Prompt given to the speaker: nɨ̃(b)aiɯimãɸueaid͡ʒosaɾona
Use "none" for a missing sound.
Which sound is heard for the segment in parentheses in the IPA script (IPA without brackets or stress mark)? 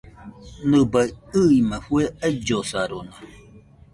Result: b